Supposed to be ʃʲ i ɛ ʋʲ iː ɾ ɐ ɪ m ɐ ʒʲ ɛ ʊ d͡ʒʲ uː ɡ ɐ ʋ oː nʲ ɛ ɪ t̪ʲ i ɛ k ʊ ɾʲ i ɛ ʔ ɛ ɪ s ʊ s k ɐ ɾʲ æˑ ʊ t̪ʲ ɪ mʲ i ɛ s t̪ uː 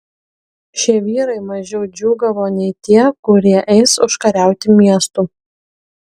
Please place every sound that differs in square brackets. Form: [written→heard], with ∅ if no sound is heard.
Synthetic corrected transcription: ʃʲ i ɛ ʋʲ iː ɾ ɐ ɪ m ɐ ʒʲ ɛ ʊ d͡ʒʲ uː ɡ ɐ ʋ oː nʲ ɛ ɪ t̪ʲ i ɛ k ʊ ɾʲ i ɛ ʔ ɛ ɪ s ʊ [s→ʃ] k ɐ ɾʲ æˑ ʊ t̪ʲ ɪ mʲ i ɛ s t̪ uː